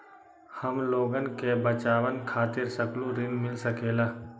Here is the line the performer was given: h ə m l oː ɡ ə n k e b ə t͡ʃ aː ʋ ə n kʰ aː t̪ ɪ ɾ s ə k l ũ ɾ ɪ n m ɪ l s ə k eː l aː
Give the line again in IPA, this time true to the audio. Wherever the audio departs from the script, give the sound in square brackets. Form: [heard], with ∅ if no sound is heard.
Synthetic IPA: h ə m l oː ɡ ə n k e b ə t͡ʃ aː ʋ ə n kʰ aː t̪ ɪ ɾ s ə k l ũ ɾ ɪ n m ɪ l s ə k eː l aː